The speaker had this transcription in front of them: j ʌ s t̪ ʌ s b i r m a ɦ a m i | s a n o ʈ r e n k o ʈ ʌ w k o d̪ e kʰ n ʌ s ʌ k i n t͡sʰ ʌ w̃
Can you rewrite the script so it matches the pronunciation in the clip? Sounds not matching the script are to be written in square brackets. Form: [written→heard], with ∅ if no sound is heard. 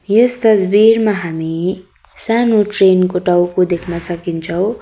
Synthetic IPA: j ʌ s t̪ ʌ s b i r m a ɦ a m i | s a n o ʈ r e n k o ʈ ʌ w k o d̪ e kʰ n ʌ s ʌ k i n t͡sʰ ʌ w̃